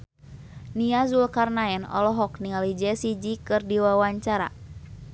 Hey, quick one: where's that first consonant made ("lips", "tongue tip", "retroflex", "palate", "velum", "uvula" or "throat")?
tongue tip